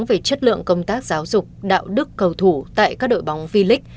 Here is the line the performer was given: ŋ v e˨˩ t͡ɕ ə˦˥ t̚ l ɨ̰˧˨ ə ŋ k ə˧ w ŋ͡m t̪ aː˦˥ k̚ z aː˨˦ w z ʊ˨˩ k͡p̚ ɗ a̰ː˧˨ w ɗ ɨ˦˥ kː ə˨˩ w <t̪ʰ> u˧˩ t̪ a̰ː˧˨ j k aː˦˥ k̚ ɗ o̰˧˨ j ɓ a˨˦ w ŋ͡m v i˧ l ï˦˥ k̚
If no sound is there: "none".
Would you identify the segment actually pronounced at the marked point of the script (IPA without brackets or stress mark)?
t̪ʰ